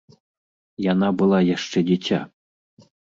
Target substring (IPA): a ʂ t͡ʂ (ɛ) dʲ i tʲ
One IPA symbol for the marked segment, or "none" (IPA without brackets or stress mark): ɛ